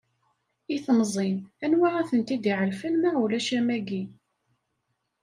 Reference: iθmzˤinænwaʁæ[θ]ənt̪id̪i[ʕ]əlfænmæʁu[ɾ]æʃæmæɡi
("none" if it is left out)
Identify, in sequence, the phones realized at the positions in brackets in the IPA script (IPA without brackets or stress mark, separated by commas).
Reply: θ, ʕ, l